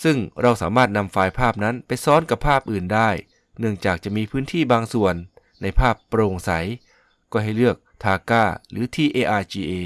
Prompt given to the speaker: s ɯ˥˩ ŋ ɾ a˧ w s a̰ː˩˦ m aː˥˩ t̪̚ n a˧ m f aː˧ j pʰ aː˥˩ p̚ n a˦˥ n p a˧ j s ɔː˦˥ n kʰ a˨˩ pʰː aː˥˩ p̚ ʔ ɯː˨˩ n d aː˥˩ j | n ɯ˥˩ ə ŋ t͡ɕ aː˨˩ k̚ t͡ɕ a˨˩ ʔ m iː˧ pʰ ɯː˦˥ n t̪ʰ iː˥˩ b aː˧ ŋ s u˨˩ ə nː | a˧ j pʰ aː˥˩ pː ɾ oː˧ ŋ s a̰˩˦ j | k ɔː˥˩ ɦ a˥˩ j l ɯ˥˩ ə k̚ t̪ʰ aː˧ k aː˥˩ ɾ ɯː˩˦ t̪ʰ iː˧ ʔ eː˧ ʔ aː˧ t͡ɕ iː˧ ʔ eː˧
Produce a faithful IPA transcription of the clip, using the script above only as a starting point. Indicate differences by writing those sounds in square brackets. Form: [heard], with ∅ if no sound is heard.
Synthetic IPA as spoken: s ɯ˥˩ ŋ ɾ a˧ w s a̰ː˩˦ m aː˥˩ t̪̚ n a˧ m f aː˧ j pʰ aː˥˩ p̚ n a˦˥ n p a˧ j s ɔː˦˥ n [k] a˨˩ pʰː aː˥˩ p̚ ʔ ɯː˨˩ n d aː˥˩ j | n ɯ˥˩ ə ŋ t͡ɕ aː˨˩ k̚ t͡ɕ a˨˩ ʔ m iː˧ pʰ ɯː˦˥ n t̪ʰ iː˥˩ b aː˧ ŋ s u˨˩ ə nː | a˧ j pʰ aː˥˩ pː ɾ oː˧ ŋ s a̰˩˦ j | k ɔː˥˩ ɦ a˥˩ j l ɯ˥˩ ə k̚ t̪ʰ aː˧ k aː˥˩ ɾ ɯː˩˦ t̪ʰ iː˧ ʔ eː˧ ʔ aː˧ t͡ɕ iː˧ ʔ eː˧

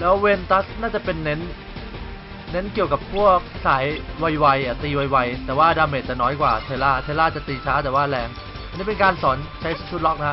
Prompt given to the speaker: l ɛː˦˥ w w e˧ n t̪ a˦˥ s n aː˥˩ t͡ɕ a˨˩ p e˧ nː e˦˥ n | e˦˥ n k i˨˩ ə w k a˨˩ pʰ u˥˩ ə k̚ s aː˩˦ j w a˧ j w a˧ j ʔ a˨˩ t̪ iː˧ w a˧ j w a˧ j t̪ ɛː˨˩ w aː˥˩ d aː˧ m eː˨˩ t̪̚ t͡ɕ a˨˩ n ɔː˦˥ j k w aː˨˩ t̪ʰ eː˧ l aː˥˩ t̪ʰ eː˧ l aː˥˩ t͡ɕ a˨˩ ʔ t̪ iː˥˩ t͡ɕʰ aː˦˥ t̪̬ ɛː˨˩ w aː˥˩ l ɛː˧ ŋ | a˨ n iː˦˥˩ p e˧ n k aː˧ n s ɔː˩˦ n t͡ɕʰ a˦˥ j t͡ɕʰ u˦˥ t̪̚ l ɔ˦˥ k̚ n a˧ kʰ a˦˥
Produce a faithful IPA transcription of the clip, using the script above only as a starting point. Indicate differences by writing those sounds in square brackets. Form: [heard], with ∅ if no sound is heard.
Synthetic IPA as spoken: l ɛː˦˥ w w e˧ n t̪ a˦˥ s n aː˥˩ t͡ɕ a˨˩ p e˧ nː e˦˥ n | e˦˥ n k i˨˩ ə w k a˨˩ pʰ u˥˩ ə k̚ s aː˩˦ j w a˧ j w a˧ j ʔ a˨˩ t̪ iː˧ w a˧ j w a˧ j t̪ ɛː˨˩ w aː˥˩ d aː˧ m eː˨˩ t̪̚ t͡ɕ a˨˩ n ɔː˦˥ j k w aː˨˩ t̪ʰ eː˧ l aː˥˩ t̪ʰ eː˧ l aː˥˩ t͡ɕ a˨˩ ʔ t̪ [iː˧] t͡ɕʰ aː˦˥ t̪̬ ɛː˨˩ w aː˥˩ l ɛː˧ ŋ | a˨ n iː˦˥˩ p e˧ n k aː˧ n s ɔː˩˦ n t͡ɕʰ a˦˥ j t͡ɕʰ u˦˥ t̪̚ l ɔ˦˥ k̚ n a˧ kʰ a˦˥

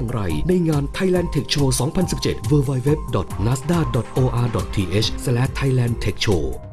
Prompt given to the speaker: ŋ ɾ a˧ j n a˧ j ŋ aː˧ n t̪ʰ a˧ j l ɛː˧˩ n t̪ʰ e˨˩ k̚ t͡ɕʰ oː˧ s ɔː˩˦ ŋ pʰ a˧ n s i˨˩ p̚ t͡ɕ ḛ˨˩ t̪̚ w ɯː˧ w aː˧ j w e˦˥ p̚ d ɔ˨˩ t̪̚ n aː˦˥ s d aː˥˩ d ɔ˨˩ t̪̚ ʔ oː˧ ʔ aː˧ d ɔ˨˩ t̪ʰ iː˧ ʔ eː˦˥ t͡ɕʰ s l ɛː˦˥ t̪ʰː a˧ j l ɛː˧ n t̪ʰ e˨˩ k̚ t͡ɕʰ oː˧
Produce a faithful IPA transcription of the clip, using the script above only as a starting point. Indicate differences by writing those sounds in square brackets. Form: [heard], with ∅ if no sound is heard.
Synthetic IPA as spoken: ŋ ɾ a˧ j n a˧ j ŋ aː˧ n t̪ʰ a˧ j l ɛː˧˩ n t̪ʰ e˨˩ k̚ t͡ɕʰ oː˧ s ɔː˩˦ ŋ pʰ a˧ n s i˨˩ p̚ t͡ɕ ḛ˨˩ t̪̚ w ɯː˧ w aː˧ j w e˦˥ p̚ d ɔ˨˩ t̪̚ n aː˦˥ s d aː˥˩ d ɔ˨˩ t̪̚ ʔ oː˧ ʔ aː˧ d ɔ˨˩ t̪ʰ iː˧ ʔ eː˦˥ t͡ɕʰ s l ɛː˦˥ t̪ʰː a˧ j l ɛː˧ n t̪ʰ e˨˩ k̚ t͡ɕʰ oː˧

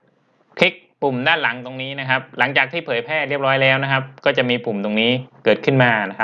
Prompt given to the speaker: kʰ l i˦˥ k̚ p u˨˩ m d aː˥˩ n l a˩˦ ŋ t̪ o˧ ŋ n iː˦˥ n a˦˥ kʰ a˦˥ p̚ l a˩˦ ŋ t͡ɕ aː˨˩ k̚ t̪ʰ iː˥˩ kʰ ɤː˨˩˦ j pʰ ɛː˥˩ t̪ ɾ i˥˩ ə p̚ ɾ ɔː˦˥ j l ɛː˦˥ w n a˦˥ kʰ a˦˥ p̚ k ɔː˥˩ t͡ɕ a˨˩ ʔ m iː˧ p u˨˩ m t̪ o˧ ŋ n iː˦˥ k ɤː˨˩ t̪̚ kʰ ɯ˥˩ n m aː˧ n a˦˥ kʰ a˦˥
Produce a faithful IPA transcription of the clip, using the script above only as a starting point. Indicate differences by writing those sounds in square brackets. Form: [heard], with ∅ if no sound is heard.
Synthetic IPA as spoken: kʰ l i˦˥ k̚ p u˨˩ m d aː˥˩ n l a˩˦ ŋ t̪ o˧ ŋ n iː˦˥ n a˦˥ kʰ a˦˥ p̚ l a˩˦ ŋ t͡ɕ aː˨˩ k̚ t̪ʰ iː˥˩ [pʰ] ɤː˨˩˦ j pʰ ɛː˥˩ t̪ ɾ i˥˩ ə p̚ ɾ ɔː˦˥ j l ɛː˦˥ w n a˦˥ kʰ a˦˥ p̚ k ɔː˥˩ t͡ɕ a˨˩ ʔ m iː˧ p u˨˩ m t̪ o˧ ŋ n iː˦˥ k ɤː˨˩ t̪̚ kʰ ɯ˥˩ n m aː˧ n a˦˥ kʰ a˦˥

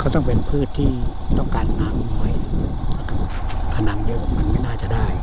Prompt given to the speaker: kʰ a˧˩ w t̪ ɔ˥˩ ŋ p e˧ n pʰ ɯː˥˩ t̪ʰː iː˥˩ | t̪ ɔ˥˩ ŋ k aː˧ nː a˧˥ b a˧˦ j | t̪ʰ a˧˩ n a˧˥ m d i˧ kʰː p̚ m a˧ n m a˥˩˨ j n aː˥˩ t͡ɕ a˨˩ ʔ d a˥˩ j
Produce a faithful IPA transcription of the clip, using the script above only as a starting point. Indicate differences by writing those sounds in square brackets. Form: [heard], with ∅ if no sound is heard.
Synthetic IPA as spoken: kʰ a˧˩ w t̪ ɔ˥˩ ŋ p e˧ n pʰ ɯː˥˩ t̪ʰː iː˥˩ | t̪ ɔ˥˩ ŋ k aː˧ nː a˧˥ [m] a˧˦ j | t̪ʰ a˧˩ n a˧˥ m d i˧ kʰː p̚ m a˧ n m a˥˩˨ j n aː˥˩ t͡ɕ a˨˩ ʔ d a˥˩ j

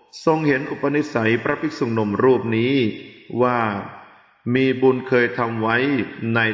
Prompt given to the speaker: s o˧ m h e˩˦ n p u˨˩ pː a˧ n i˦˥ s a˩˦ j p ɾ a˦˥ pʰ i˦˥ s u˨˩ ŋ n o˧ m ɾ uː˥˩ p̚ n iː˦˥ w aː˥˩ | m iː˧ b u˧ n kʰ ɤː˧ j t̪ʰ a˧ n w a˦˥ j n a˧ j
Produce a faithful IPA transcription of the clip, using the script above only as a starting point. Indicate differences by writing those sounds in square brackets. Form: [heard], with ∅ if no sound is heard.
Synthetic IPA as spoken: s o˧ [ŋ] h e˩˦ n [ʔ] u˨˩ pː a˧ n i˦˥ s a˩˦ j p ɾ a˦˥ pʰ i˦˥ s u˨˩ ŋ n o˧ m ɾ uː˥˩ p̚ n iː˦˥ w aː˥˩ | m iː˧ b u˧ n kʰ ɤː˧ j t̪ʰ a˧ [m] w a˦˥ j n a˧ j

